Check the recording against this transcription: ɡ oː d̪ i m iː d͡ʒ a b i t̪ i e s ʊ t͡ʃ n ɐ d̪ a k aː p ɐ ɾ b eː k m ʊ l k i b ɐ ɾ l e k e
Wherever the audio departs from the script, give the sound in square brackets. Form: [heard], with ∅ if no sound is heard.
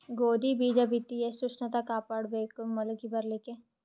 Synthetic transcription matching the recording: ɡ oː d̪ i [b] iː d͡ʒ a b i t̪ i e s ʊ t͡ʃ n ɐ [t̪] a k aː p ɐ [ɽ] b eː k m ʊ l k i b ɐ ɾ l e k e